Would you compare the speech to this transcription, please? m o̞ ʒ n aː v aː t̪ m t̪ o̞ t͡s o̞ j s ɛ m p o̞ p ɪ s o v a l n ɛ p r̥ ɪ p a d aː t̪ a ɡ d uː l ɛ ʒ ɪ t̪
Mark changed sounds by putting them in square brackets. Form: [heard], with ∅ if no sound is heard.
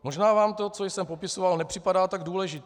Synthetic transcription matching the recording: m o̞ ʒ n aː v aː [∅] m t̪ o̞ t͡s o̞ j s ɛ m p o̞ p ɪ s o v a l n ɛ p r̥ ɪ p a d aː t̪ a ɡ d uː l ɛ ʒ ɪ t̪